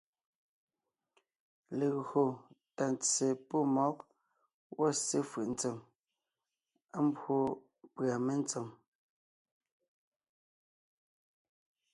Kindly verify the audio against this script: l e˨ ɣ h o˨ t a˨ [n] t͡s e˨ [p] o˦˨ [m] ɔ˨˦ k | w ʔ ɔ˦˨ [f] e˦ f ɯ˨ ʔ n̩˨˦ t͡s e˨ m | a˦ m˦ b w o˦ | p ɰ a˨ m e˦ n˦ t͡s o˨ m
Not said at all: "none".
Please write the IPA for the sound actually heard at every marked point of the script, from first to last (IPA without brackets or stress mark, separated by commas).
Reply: n, p, m, s